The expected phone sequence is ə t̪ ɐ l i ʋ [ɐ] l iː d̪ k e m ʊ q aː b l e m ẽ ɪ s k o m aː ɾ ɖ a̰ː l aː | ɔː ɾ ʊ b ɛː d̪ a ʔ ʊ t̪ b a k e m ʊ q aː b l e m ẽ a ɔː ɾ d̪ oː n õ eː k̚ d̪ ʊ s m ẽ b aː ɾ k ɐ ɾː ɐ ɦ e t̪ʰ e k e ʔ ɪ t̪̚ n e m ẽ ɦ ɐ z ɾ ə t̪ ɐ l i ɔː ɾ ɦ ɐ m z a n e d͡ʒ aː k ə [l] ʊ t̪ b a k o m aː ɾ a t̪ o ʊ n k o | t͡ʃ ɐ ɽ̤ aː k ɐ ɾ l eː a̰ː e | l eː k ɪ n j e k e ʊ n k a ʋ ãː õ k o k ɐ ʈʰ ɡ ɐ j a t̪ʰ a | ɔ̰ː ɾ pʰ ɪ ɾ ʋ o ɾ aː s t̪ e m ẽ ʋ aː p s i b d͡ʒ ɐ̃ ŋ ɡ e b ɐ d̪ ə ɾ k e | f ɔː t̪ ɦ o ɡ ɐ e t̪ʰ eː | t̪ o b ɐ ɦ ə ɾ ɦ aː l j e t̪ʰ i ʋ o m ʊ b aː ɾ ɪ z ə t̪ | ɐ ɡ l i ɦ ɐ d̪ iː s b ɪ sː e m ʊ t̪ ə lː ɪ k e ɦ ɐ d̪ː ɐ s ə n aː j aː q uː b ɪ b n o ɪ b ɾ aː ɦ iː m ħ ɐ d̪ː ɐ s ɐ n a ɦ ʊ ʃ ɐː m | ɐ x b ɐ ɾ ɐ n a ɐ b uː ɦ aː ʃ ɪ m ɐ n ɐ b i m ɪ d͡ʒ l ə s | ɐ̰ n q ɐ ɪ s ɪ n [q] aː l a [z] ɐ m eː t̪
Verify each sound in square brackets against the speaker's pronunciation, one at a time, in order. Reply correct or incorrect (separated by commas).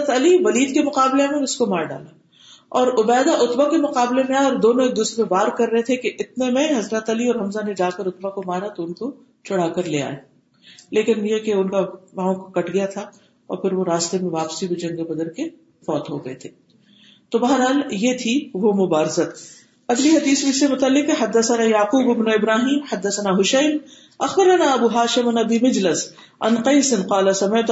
correct, incorrect, correct, incorrect